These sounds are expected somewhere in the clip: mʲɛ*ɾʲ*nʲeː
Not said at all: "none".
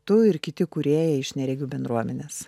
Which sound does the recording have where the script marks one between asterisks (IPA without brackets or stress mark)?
none